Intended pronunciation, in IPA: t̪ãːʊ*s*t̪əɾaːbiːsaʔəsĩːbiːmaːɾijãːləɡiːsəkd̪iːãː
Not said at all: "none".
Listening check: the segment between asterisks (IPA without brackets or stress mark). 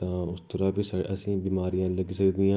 s